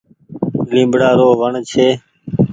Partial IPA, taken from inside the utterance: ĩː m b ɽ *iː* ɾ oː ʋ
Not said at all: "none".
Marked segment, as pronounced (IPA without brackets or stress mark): aː